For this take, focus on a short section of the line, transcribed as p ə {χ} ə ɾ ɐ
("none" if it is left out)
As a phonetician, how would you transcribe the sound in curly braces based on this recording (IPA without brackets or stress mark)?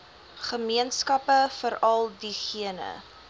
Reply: f